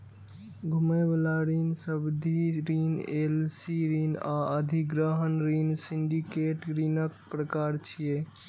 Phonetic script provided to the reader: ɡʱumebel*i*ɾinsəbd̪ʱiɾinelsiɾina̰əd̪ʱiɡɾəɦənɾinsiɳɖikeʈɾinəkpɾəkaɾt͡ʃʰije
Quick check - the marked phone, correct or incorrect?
incorrect